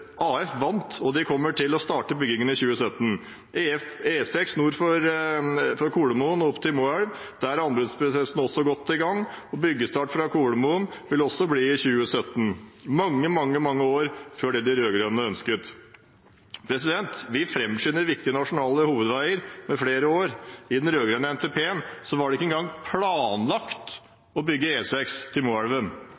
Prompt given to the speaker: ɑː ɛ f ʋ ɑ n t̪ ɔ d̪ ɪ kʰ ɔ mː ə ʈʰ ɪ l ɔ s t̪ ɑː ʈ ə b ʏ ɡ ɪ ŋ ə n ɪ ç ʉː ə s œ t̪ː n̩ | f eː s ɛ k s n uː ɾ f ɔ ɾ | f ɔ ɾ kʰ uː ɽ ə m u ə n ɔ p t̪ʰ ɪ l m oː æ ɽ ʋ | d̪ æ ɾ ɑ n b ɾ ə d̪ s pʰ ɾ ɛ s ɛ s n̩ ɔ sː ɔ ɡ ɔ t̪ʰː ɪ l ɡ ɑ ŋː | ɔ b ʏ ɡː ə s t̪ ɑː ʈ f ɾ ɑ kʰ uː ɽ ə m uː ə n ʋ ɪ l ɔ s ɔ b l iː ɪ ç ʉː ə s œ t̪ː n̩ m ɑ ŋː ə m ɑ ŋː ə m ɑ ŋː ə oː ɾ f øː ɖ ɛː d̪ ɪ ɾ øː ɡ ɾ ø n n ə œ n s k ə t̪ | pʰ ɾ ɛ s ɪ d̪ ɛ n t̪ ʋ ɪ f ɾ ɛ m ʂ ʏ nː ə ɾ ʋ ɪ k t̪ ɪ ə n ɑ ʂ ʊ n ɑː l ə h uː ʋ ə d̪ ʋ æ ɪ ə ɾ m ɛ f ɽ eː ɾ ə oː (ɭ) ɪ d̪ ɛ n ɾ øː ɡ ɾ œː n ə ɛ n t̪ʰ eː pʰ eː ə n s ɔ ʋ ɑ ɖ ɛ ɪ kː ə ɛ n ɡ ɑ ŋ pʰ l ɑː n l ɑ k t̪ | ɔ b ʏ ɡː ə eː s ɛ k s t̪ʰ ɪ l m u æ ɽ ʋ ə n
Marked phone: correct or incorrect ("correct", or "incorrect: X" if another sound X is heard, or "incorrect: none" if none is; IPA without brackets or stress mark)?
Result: incorrect: ɾ